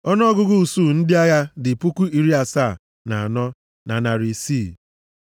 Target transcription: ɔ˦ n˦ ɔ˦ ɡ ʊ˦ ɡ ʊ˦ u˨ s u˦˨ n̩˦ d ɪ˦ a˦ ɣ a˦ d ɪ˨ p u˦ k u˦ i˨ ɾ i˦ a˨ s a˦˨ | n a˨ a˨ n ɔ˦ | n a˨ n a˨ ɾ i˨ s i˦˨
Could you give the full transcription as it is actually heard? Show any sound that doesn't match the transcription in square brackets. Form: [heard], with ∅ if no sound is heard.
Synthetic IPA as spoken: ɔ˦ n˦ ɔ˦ ɡ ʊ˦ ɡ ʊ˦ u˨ s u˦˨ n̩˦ d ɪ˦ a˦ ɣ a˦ d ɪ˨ p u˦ k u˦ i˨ ɾ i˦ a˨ s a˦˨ | n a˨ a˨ n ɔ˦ | n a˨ n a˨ ɾ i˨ s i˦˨